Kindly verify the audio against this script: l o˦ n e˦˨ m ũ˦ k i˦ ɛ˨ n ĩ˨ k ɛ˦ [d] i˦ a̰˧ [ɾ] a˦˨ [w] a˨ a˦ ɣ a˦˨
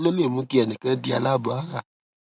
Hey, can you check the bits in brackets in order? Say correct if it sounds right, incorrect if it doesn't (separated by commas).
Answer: correct, incorrect, incorrect